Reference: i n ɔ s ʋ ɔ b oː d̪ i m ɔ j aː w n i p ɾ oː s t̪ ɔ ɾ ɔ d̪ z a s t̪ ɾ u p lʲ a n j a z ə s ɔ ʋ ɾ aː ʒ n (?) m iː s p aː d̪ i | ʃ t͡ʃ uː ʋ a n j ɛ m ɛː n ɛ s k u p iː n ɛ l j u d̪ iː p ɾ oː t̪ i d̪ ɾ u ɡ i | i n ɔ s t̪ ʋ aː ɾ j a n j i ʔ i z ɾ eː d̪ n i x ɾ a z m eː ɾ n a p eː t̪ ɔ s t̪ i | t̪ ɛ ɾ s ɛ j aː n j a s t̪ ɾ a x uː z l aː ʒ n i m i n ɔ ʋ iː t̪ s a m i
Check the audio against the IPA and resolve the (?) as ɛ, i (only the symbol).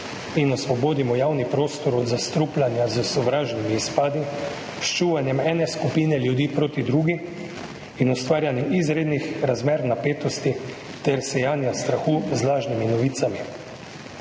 i